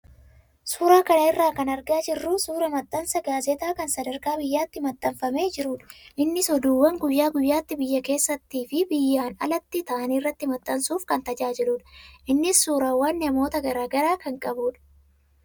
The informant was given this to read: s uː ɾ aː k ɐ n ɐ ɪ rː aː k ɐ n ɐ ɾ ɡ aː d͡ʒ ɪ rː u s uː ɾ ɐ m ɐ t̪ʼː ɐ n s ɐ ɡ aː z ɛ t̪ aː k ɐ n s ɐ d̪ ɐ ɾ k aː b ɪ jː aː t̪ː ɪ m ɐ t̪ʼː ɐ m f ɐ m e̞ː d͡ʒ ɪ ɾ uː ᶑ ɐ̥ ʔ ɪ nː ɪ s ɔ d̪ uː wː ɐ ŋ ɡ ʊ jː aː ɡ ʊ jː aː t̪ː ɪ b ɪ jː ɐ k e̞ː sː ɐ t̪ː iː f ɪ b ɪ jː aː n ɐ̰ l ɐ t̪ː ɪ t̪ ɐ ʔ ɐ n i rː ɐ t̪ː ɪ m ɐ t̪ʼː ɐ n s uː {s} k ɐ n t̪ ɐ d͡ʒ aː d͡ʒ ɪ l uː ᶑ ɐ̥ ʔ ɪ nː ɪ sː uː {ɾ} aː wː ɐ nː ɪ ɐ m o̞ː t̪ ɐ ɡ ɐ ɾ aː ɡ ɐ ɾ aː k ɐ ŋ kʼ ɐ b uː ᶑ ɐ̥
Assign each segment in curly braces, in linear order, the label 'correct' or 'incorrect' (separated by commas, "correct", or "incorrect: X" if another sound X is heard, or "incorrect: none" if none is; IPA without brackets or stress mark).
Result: incorrect: f, correct